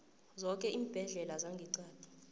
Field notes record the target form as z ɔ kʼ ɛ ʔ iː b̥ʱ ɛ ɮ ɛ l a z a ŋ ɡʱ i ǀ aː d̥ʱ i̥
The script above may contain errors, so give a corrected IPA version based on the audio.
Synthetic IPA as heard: z ɔ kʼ ɛ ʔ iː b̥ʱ ɛ ɮ ɛ l a z a ŋ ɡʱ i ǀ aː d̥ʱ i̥